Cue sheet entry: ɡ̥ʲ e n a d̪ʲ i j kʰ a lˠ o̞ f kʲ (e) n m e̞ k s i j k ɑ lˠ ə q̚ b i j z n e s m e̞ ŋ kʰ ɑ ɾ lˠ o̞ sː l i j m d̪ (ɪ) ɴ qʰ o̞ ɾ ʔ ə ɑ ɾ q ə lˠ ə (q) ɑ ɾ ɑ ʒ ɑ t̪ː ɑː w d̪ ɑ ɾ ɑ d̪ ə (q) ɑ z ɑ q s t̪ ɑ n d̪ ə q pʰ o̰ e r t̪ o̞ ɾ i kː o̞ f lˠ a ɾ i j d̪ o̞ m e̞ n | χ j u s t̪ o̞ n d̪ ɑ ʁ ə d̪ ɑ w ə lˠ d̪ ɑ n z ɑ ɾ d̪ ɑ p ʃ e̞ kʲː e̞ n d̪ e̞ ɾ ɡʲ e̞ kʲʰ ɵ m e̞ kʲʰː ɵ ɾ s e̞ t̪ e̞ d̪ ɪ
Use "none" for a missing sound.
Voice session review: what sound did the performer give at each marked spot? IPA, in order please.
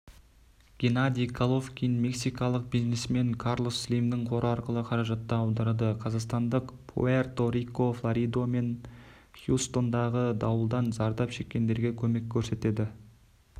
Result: i, ɪ, qʰ, qʰ

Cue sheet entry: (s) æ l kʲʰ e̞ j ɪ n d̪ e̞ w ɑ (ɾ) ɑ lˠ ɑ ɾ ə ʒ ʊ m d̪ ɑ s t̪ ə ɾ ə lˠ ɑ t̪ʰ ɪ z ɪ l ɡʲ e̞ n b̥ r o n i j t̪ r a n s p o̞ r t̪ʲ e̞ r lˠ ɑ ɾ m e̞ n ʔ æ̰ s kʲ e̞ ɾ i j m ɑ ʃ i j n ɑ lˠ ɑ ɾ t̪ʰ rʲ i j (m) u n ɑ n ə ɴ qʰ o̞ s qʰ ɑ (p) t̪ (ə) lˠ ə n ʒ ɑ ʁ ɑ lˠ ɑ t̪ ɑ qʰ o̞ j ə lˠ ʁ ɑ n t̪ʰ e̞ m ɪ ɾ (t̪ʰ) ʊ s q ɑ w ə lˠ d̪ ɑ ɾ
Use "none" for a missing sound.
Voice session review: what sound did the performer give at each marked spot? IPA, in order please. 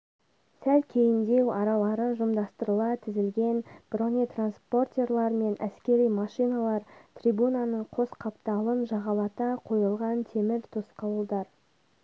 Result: s, ɾ, b, p, ɑ, t̪ʰ

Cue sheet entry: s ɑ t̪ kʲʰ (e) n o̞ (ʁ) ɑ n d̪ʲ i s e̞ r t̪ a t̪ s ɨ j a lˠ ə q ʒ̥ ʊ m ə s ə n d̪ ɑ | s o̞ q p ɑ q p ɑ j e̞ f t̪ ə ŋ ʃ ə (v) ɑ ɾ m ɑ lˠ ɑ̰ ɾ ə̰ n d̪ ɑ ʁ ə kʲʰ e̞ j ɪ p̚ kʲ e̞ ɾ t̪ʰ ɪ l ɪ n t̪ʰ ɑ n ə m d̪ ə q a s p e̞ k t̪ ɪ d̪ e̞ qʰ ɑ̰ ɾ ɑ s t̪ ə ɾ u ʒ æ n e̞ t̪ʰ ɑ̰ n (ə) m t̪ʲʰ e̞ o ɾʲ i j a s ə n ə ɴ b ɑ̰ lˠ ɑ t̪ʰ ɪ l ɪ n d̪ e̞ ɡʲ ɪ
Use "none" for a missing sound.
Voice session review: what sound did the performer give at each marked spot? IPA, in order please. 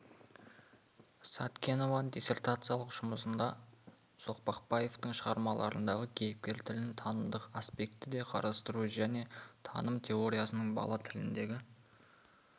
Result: e, v, ʁ, ə

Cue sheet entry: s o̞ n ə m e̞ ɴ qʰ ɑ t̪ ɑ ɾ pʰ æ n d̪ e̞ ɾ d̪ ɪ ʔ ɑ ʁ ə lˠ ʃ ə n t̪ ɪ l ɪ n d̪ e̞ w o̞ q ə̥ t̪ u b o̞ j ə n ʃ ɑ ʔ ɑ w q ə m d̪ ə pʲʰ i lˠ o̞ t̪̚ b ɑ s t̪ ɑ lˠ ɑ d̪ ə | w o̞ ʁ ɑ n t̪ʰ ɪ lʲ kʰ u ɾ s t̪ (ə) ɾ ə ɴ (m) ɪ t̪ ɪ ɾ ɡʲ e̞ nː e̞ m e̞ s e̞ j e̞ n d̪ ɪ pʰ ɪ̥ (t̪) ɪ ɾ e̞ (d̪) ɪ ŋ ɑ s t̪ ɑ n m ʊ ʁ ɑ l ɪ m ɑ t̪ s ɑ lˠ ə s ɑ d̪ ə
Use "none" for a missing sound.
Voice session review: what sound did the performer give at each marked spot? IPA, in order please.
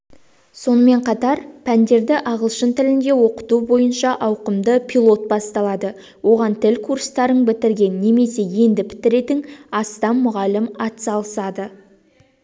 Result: ɑ, b, t̪, t̪

